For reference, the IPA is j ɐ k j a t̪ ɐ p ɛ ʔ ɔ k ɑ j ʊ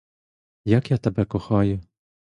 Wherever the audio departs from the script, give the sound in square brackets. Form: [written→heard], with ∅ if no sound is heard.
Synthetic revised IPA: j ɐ k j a t̪ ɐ [p→b] ɛ [ʔ→k] ɔ [k→x] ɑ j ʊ